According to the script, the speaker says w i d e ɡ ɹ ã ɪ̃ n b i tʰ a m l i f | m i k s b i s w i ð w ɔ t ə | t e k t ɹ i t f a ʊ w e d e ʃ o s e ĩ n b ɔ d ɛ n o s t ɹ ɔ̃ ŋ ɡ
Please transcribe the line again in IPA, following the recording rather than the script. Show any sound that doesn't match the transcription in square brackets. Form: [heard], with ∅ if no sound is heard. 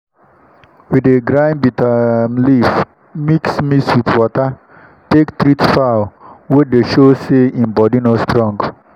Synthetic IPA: w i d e ɡ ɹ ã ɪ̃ n b i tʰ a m l i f | m i k s [m] i s w i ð w ɔ t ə | t e k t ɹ i t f a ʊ w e d e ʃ o s e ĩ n b ɔ d [i] n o s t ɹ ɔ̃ ŋ ɡ